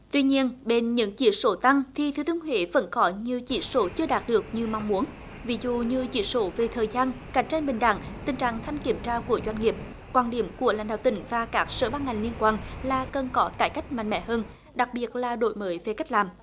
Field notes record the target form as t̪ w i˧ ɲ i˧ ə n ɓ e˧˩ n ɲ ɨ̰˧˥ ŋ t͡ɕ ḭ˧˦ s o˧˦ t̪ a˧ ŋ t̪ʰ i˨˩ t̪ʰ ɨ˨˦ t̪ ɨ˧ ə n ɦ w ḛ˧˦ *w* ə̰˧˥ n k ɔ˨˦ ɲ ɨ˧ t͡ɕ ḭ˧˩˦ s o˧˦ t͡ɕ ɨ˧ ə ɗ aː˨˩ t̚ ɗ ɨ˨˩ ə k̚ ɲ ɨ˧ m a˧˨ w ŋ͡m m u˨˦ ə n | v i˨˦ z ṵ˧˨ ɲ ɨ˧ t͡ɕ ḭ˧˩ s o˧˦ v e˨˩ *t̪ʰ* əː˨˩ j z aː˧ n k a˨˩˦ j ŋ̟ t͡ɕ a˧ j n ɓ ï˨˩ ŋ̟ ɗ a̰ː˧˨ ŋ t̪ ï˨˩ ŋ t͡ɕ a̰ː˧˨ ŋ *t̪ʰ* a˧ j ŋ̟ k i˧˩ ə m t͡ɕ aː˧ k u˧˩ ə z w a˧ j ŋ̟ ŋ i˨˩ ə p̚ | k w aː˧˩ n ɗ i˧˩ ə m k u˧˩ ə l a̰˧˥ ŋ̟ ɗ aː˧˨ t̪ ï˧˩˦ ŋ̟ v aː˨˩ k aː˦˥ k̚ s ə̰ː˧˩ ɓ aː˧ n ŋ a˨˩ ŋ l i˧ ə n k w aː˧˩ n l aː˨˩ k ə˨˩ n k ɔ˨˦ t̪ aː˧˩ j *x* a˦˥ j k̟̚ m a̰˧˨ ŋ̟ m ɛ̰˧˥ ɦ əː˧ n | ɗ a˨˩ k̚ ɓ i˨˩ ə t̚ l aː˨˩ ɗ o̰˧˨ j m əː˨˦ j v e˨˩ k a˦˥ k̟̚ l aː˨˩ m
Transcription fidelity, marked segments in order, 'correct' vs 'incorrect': incorrect: v, correct, correct, incorrect: k

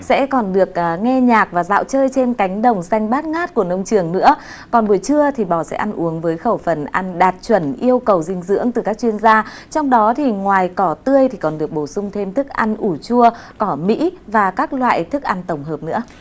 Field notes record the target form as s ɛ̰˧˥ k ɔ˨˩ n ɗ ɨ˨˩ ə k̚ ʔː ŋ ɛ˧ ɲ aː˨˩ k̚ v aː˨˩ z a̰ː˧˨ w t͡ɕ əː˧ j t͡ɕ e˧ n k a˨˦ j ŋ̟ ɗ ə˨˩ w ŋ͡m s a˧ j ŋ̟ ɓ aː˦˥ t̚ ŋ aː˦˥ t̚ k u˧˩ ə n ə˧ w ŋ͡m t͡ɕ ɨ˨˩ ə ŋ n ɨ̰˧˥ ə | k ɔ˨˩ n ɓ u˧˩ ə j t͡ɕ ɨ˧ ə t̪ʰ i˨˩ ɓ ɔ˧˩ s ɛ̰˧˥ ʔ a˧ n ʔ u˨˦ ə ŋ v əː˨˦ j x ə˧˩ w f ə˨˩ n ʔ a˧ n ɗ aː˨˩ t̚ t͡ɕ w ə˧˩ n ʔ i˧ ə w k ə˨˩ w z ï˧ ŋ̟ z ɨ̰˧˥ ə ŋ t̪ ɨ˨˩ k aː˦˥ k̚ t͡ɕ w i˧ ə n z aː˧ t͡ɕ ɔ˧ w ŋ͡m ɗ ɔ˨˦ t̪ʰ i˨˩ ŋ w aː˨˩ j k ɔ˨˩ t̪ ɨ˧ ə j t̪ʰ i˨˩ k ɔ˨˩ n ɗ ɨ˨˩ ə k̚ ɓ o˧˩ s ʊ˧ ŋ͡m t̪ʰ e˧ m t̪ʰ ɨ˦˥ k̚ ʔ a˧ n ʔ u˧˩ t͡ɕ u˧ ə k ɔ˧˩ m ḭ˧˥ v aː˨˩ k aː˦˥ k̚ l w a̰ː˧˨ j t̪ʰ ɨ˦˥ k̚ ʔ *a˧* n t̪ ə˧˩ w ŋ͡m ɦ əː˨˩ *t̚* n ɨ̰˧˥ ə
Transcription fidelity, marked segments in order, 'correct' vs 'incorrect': correct, incorrect: p̚

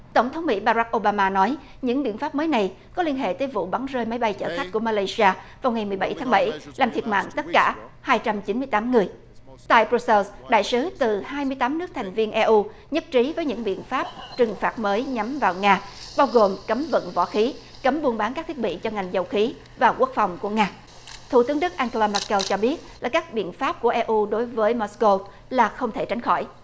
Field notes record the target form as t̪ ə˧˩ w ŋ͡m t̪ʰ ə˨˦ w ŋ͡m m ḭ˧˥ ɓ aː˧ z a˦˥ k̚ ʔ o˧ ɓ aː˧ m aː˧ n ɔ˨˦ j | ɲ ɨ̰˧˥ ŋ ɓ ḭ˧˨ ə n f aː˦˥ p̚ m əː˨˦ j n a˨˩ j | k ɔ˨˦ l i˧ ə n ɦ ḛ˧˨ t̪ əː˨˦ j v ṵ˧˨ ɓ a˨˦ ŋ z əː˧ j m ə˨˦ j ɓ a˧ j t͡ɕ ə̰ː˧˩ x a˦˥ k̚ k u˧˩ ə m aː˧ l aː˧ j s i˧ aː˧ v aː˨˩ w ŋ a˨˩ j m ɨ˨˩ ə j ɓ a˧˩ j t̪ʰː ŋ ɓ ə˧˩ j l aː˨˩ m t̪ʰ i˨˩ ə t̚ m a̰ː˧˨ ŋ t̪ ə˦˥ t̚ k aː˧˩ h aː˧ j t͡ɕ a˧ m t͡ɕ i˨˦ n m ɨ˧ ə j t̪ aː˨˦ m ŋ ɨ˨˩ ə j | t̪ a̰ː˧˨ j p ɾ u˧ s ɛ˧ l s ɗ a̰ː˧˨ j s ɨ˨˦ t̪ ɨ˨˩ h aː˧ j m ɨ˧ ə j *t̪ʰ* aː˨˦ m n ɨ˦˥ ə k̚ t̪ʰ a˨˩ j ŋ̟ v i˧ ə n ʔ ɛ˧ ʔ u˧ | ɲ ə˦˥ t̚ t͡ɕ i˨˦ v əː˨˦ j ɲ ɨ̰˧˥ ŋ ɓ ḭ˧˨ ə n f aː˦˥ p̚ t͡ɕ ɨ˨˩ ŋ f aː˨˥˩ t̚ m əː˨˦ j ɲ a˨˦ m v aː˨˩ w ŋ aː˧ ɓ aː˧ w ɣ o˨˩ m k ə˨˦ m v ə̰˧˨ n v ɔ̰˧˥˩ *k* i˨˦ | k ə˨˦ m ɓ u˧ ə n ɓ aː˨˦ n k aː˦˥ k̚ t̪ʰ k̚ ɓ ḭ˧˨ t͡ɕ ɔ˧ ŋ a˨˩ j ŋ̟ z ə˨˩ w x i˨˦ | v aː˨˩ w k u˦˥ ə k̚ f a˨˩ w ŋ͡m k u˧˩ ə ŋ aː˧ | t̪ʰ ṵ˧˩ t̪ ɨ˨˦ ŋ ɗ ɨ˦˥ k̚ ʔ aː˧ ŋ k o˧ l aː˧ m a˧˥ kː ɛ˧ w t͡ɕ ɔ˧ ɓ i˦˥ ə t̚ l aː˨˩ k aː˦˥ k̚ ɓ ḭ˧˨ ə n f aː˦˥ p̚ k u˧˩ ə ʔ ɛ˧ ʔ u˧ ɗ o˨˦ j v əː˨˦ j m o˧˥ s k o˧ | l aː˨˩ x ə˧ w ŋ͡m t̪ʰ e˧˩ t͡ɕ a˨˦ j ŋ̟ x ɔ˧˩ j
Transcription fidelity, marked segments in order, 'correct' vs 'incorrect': incorrect: t̪, incorrect: x

